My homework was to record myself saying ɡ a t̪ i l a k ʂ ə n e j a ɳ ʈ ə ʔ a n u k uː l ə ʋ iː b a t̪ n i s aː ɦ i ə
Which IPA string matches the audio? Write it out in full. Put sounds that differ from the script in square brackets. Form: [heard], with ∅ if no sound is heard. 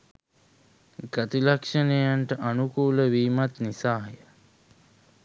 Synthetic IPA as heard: ɡ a t̪ i l a k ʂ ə n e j a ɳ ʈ ə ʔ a n u k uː l ə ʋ iː [m] a t̪ n i s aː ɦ [j] ə